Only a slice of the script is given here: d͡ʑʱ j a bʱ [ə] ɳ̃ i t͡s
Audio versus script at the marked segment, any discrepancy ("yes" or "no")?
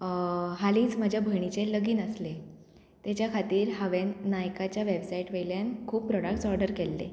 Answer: no